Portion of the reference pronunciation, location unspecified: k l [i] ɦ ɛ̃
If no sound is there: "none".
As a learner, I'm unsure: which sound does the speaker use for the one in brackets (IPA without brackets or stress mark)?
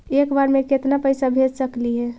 i